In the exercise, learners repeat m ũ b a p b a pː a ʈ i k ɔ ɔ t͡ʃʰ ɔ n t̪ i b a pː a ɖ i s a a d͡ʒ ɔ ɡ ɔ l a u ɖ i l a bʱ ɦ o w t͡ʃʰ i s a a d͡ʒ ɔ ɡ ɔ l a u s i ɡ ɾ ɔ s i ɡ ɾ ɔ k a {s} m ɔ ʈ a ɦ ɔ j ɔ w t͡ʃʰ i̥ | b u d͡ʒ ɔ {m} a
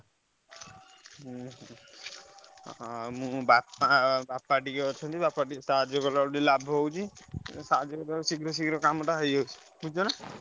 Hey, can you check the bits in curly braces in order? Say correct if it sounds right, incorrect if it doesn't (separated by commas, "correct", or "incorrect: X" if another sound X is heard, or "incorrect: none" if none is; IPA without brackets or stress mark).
incorrect: none, incorrect: n